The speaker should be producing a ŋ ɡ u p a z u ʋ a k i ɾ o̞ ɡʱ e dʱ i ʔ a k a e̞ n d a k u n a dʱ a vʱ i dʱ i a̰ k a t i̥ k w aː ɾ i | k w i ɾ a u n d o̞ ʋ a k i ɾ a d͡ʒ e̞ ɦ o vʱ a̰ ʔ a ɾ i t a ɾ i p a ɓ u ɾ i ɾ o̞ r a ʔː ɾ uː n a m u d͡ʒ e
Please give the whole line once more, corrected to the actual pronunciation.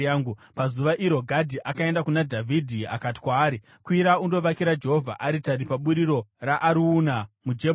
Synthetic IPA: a ŋ ɡ u p a z u ʋ a ʔ i ɾ o̞ ɡʱ a dʱ i ʔ a k a e̞ n d a k u n a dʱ a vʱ i dʱ i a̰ k a t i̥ k w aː ɾ i | k w i ɾ a u n d o̞ ʋ a k i ɾ a d͡ʒ e̞ ɦ o vʱ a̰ ʔ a ɾ i t a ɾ i p a ɓ u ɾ i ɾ o̞ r a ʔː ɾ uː n a m u d͡ʒ e

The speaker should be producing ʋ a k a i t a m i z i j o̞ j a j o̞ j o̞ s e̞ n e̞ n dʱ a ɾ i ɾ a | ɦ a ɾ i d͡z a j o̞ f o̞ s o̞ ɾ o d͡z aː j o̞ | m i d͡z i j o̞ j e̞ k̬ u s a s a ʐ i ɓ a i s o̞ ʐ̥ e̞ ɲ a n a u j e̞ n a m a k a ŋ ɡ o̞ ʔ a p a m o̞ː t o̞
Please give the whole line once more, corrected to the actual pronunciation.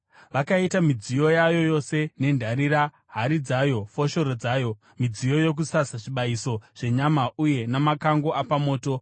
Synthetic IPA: ʋ a k a i t a m i d͡z i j o̞ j a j o̞ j o̞ s e̞ n e̞ n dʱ a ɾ i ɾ a | ɦ a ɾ i d͡z a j o̞ f o̞ ʃ o̞ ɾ o d͡z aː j o̞ | m i d͡z i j o̞ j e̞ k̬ u s a s a ʐ i ɓ a i s o̞ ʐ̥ e̞ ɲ a m a u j e̞ n a m a k a ŋ ɡ o̞ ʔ a p a m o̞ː t o̞

